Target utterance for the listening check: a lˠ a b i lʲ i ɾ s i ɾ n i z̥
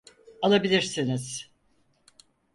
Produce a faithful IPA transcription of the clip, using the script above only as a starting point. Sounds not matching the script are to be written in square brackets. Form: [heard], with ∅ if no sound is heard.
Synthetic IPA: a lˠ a b i lʲ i ɾ s i [∅] n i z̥